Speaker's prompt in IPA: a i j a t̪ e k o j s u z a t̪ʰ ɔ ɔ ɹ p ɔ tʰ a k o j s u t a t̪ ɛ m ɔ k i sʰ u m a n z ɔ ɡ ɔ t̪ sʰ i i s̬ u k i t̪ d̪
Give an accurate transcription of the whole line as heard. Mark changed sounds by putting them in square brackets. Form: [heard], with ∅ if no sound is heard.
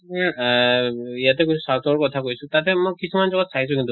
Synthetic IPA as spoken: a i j a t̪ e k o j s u [s] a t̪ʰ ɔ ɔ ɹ [k] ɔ tʰ a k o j s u t a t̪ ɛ m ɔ k i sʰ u m a n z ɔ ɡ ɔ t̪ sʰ [a] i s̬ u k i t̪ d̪